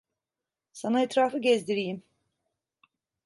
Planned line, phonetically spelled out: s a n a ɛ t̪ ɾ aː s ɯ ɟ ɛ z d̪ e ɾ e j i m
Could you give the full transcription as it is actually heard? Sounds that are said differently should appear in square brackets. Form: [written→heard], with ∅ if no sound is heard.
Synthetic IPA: s a n a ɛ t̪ ɾ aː [s→f] ɯ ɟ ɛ z d̪ [e→i] ɾ [e→i] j i m